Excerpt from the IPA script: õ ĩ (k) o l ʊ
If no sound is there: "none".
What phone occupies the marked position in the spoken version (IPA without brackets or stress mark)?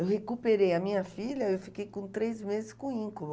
k